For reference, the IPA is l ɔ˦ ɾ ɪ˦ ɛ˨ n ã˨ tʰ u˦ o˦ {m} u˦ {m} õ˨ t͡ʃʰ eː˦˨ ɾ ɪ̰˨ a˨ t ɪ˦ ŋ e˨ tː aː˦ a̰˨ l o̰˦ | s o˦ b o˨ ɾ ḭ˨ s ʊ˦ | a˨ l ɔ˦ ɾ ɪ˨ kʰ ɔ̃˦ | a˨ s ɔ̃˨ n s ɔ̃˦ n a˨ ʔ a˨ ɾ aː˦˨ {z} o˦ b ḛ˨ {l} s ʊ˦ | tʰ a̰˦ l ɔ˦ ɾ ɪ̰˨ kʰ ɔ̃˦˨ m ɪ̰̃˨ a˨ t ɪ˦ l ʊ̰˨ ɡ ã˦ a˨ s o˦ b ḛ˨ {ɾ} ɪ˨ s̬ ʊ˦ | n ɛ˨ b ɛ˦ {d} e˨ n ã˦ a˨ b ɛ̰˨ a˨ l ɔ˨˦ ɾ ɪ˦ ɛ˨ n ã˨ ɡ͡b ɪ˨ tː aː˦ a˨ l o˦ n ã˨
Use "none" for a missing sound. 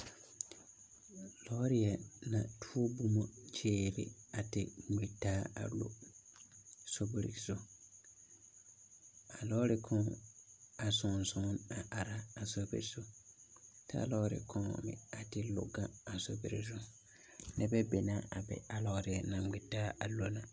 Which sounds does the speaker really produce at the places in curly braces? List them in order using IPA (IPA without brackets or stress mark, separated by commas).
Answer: b, m, s, ɾ, ɾ, b